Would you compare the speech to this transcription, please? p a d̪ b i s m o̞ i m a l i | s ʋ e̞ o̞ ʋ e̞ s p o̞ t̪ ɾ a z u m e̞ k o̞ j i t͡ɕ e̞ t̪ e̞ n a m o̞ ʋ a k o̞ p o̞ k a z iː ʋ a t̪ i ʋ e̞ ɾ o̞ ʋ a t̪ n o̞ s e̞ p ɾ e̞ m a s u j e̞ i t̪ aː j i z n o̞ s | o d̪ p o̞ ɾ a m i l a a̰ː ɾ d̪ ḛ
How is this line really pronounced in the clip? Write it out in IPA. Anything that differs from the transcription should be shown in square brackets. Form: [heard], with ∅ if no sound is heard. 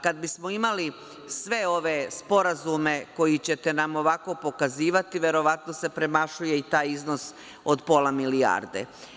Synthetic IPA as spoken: [k] a d̪ b i s m o̞ i m a l i | s ʋ e̞ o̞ ʋ e̞ s p o̞ [∅] ɾ a z u m e̞ k o̞ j i t͡ɕ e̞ t̪ e̞ n a m o̞ ʋ a k o̞ p o̞ k a z iː ʋ a t̪ i ʋ e̞ ɾ o̞ ʋ a t̪ n o̞ s e̞ p ɾ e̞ m a [ʃ] u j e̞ i t̪ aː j i z n o̞ s | o d̪ p o̞ [l] a m i l [i] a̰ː ɾ d̪ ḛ

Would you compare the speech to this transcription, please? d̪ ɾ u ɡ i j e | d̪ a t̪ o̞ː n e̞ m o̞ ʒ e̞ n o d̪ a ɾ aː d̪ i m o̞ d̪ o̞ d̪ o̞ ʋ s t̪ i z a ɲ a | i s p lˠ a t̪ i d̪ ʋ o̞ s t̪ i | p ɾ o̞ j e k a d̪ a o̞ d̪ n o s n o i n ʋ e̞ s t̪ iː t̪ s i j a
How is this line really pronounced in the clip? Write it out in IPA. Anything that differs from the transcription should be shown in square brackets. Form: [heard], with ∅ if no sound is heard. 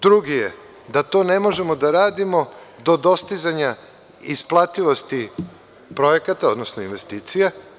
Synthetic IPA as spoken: d̪ ɾ u ɡ i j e | d̪ a t̪ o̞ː n e̞ m o̞ ʒ e̞ [m] o d̪ a ɾ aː d̪ i m o̞ d̪ o̞ d̪ o̞ [∅] s t̪ i z a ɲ a | i s p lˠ a t̪ i [∅] ʋ o̞ s t̪ i | p ɾ o̞ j e k a [t̪] a o̞ d̪ n o s n o i n ʋ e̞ s t̪ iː t̪ s i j a

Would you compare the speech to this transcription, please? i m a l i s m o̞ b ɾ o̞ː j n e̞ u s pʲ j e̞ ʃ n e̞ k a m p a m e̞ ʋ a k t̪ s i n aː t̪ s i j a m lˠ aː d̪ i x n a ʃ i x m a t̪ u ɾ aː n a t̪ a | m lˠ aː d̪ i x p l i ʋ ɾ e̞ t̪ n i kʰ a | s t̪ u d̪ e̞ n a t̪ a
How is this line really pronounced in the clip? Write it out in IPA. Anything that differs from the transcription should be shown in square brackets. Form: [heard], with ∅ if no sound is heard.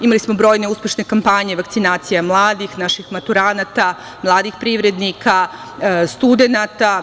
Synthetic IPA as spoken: i m a l i s m o̞ b ɾ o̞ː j n e̞ u s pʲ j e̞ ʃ n e̞ k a m p a [ɲ] e̞ ʋ a k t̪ s i n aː t̪ s i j a m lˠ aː d̪ i x n a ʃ i x m a t̪ u ɾ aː n a t̪ a | m lˠ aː d̪ i x p [ɾ] i ʋ ɾ e̞ [d̪] n i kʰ a | s t̪ u d̪ e̞ n a t̪ a

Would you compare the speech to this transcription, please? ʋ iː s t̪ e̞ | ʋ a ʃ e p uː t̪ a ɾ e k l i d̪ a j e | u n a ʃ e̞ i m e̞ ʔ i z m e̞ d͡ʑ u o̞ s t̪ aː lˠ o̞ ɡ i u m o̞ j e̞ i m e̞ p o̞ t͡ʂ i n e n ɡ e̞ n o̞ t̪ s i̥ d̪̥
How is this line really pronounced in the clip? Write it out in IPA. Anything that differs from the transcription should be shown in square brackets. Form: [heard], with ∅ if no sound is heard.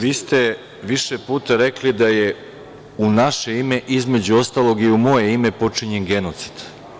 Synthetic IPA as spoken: ʋ iː s t̪ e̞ | ʋ [i] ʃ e p uː t̪ a ɾ e k l i d̪ a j e | u n a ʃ e̞ i m e̞ ʔ i z m e̞ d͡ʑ u o̞ s t̪ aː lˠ o̞ ɡ i u m o̞ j e̞ i m e̞ p o̞ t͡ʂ i [ɲ] e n ɡ e̞ n o̞ t̪ s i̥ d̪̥

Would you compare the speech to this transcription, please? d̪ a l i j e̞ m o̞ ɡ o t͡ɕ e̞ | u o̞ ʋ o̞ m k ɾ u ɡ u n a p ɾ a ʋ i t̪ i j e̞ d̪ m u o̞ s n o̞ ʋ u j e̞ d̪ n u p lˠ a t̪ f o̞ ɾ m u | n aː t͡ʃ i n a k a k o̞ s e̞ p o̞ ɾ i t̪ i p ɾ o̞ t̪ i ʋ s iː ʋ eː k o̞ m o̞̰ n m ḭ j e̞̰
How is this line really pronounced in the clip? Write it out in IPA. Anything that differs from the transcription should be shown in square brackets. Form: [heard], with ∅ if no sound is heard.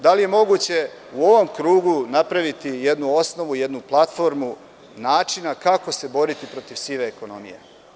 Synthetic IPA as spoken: d̪ a l i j e̞ m o̞ ɡ [u] t͡ɕ e̞ | u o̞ ʋ o̞ m k ɾ [uː] ɡ u n a p ɾ a ʋ i t̪ i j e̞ d̪ [n] u o̞ s n o̞ ʋ u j e̞ d̪ n u p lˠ a t̪ f o̞ ɾ m u | n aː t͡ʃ i n a k a k o̞ s e̞ [b] o̞ ɾ i t̪ i p ɾ o̞ t̪ i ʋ s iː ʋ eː k o̞ [n] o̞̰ [∅] m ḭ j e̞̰

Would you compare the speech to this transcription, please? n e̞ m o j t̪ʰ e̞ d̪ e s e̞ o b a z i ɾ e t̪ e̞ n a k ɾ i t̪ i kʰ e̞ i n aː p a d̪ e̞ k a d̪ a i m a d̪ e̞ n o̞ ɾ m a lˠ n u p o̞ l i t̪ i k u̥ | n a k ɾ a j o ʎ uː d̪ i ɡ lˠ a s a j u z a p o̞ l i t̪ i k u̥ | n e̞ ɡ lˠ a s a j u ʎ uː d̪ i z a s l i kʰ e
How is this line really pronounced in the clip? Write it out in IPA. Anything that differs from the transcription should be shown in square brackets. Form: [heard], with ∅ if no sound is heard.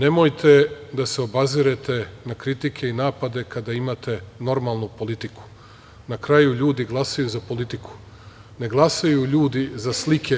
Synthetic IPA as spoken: n e̞ m o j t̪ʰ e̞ d̪ [a] s e̞ o b a z i ɾ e t̪ e̞ n a k ɾ i t̪ i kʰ e̞ i n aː p a d̪ e̞ k a d̪ a i m a [t̪] e̞ n o̞ ɾ m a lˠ n u p o̞ l i t̪ i k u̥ | n a k ɾ a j [u] ʎ uː d̪ i ɡ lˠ a s a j u z a p o̞ l i t̪ i k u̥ | n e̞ ɡ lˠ a s a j u ʎ uː d̪ i z a s l i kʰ e

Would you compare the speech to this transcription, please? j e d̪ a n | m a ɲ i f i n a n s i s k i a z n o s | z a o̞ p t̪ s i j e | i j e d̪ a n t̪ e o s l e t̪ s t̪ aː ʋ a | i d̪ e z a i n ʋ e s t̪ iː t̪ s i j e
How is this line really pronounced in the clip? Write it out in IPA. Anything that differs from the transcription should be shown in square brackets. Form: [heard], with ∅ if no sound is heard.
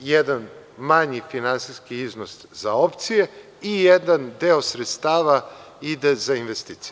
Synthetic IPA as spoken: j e d̪ a n | m a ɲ i f i n a n s i s k i [i] z n o s | z a o̞ p t̪ s i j e | i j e d̪ a n [d̪] e o s [ɾ] e t̪ s t̪ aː ʋ a | i d̪ e z a i n ʋ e s t̪ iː t̪ s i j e

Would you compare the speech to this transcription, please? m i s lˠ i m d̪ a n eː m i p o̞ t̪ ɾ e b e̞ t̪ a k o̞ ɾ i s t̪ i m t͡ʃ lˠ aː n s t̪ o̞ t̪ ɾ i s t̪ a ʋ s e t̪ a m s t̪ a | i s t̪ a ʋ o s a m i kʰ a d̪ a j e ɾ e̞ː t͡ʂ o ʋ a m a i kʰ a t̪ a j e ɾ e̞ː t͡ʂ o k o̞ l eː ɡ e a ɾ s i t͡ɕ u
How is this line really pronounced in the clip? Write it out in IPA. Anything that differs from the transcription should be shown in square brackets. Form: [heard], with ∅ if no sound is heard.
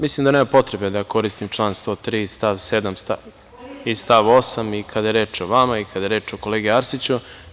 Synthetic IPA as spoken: m i s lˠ i m d̪ a n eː m [a] p o̞ t̪ ɾ e b e̞ [d̪] a k o̞ ɾ i s t̪ i m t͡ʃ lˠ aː n s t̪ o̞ t̪ ɾ i s t̪ a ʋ s e [d̪] a m s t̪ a | i s t̪ a ʋ o s a m i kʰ a d̪ a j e ɾ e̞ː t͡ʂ o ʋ a m a i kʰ a [d̪] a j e ɾ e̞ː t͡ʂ o k o̞ l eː ɡ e a ɾ s i t͡ɕ u

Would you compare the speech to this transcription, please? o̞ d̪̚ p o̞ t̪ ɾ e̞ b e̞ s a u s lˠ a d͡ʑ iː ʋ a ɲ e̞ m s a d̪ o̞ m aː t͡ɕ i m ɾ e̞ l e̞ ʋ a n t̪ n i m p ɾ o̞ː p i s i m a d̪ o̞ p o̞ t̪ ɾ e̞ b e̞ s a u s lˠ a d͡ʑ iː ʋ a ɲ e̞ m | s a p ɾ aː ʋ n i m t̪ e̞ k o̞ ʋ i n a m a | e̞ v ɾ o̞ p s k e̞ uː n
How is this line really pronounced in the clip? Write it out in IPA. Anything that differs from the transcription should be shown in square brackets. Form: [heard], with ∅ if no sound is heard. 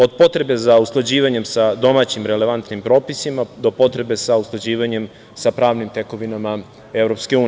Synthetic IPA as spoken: o̞ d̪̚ p o̞ t̪ ɾ e̞ b e̞ [z] a u s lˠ a d͡ʑ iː ʋ a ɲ e̞ m s a d̪ o̞ m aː t͡ɕ i m ɾ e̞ l e̞ ʋ a n t̪ n i m p ɾ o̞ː p i s i m a d̪ o̞ p o̞ t̪ ɾ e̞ b e̞ s a u s lˠ a d͡ʑ iː ʋ a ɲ e̞ m | s a p ɾ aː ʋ n i m t̪ e̞ k o̞ ʋ i n a m a | e̞ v ɾ o̞ p s k e̞ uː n

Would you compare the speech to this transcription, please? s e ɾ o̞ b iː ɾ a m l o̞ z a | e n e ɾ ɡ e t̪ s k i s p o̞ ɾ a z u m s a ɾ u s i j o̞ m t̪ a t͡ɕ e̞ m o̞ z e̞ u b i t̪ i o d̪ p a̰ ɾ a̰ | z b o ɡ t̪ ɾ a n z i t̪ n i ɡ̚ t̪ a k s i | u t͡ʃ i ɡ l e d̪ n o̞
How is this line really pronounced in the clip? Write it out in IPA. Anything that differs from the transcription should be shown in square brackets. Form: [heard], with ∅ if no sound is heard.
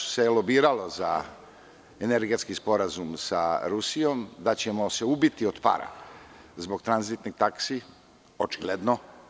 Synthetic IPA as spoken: s e [l] o̞ b iː ɾ a [∅] l o̞ z a | e n e ɾ ɡ e t̪ s k i s p o̞ ɾ a z u m s a ɾ u s i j o̞ m [d̪] a t͡ɕ e̞ m o̞ [s] e̞ u b i t̪ i o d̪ p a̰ ɾ a̰ | z b o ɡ t̪ ɾ a n z i t̪ n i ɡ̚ t̪ a k s i | [o] t͡ʃ i ɡ l e d̪ n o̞

